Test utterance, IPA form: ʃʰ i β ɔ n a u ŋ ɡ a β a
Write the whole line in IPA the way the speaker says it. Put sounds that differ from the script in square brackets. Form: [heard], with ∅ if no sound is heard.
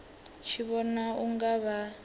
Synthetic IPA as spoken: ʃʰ i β ɔ n a u ŋ ɡ a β a